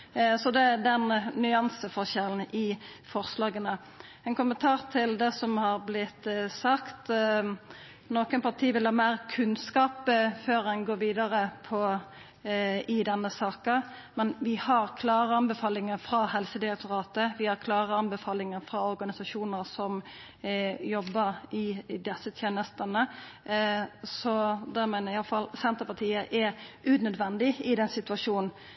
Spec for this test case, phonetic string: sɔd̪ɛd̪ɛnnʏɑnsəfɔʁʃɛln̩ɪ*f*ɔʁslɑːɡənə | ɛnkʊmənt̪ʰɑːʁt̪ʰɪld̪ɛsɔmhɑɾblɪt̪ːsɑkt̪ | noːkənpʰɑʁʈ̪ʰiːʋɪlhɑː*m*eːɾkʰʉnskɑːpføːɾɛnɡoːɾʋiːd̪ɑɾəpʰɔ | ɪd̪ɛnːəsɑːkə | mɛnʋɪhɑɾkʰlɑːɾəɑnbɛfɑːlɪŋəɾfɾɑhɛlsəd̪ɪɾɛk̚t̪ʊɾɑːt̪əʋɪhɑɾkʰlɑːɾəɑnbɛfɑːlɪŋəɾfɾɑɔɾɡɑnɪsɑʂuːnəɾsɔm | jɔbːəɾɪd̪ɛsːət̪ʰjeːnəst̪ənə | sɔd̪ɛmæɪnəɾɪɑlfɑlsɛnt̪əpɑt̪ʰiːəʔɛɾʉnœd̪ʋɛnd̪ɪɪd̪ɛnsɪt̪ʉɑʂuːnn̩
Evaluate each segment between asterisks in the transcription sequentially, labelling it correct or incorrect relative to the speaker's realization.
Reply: correct, correct

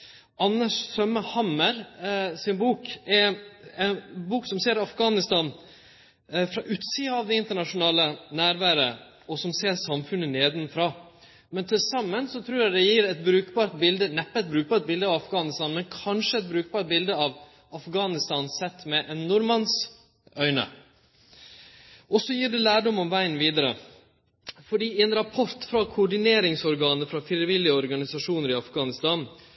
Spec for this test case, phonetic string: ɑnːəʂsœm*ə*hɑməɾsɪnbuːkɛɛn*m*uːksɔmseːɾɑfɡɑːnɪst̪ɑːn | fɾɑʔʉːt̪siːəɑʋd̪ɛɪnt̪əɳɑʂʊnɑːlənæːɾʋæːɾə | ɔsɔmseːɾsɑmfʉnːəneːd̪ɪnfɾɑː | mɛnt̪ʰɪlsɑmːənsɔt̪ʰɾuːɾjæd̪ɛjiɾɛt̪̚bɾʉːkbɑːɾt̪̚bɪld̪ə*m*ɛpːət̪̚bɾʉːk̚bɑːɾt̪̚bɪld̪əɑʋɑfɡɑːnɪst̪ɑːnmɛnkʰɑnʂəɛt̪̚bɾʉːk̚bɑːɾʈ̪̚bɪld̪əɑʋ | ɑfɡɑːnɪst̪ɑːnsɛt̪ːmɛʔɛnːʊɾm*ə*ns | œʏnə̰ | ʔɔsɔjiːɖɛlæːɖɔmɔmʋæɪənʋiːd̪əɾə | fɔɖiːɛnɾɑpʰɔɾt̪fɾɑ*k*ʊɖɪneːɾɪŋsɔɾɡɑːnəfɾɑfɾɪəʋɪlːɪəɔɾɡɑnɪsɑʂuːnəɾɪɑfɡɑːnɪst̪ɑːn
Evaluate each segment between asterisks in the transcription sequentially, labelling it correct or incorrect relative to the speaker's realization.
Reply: correct, incorrect, incorrect, incorrect, incorrect

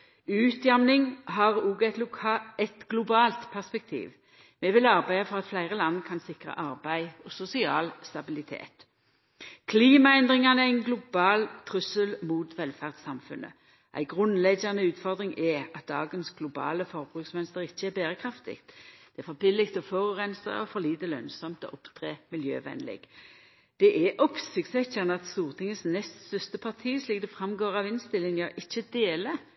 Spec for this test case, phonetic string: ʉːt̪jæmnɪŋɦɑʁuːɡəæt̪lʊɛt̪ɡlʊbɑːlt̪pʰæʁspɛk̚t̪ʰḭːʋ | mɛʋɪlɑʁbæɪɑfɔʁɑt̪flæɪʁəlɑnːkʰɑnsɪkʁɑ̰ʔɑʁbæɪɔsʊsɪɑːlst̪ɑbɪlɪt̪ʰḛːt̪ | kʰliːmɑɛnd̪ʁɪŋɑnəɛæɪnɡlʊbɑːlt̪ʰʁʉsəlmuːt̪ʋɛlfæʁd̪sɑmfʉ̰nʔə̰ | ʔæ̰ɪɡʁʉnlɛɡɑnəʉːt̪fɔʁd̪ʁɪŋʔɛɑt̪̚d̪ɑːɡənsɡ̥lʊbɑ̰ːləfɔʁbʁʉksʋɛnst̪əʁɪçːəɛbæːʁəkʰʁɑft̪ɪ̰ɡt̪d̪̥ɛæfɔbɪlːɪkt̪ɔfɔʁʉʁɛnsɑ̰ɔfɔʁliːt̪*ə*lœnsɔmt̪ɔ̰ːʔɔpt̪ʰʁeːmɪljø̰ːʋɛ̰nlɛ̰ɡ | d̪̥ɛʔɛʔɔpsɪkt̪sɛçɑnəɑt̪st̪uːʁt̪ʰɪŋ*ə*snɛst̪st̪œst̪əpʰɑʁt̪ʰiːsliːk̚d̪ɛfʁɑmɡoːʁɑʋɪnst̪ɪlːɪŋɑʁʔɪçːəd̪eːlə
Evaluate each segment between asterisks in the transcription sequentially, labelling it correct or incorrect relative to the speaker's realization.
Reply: correct, correct

